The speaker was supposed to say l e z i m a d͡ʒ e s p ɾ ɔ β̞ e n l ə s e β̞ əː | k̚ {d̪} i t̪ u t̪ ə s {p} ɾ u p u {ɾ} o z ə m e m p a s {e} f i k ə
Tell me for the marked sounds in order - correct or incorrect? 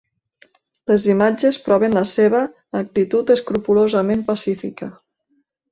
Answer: incorrect: t̪, incorrect: k, incorrect: l, incorrect: i

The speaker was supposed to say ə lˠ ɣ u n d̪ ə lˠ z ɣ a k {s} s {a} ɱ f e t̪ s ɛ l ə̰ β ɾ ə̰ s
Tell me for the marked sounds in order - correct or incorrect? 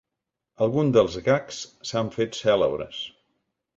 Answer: correct, correct

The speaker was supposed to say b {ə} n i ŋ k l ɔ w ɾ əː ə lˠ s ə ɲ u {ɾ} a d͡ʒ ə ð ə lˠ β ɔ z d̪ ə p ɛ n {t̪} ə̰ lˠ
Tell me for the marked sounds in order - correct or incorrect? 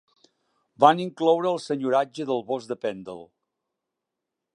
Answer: incorrect: a, correct, incorrect: d̪

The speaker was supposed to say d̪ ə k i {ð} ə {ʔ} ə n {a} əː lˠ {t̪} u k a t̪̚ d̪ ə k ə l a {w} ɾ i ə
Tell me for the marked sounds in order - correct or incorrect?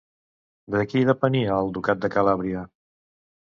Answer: correct, incorrect: p, incorrect: i, incorrect: d̪, incorrect: β

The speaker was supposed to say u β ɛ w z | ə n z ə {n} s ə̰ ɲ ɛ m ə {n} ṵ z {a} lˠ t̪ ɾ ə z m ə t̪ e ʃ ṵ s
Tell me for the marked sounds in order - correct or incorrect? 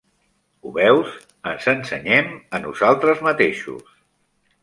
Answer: correct, correct, correct

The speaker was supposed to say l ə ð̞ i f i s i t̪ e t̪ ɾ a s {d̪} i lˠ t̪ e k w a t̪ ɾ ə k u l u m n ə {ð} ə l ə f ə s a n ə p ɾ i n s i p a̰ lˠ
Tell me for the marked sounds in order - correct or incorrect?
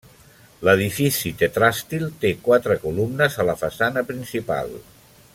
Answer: incorrect: t̪, incorrect: z

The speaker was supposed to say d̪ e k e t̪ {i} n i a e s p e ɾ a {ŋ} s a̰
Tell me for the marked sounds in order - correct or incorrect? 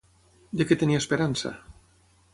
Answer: incorrect: e, incorrect: n

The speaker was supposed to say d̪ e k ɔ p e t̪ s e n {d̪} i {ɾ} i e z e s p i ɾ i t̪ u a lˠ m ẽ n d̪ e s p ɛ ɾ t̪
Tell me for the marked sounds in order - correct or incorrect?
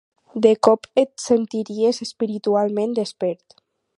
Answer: incorrect: t̪, correct

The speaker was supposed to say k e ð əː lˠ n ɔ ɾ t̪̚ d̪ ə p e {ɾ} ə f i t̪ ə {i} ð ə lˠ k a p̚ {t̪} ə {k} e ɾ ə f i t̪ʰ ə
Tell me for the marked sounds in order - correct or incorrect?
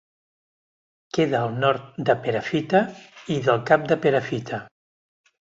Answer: correct, correct, incorrect: d̪, incorrect: p

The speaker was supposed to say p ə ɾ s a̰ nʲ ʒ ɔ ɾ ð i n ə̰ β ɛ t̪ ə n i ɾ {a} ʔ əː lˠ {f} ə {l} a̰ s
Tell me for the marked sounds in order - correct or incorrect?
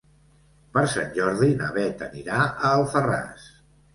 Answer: correct, correct, incorrect: r

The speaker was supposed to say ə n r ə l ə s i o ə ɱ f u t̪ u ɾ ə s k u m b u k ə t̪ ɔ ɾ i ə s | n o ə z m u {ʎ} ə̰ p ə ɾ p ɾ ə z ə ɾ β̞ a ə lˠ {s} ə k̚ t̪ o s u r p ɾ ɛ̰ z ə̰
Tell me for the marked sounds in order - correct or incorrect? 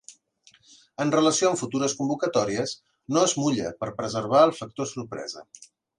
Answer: correct, incorrect: f

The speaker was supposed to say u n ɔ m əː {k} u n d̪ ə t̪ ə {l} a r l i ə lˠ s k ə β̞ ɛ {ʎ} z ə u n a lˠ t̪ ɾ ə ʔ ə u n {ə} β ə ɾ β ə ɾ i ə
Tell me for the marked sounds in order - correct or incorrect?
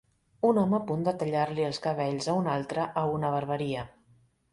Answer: incorrect: p, incorrect: ʎ, correct, correct

